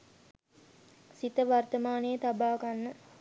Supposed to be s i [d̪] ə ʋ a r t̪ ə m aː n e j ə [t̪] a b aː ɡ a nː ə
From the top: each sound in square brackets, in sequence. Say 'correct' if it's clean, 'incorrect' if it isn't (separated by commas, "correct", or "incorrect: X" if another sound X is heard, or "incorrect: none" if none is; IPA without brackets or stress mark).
incorrect: t̪, correct